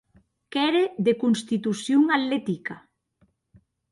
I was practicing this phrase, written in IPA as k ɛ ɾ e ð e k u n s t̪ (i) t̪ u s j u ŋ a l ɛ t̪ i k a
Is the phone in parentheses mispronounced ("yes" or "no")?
no